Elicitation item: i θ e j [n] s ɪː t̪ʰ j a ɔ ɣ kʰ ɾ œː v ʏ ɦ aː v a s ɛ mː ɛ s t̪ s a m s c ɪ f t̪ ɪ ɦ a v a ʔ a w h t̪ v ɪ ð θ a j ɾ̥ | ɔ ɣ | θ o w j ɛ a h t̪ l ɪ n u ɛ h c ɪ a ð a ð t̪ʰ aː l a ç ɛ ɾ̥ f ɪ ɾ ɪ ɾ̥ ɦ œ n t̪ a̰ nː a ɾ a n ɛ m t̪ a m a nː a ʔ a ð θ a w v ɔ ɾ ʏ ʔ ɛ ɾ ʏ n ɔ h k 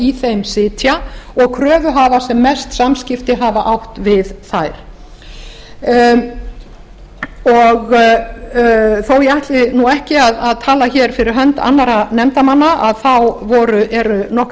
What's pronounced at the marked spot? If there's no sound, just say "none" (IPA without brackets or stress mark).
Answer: m